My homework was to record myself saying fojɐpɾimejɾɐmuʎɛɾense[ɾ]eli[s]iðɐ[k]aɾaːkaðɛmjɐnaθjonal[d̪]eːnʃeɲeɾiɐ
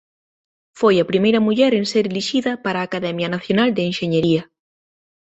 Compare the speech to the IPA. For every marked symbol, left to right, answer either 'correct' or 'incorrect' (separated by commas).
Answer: correct, incorrect, incorrect, correct